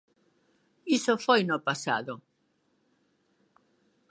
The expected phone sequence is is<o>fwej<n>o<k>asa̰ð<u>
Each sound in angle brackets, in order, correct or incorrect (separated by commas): correct, correct, incorrect, incorrect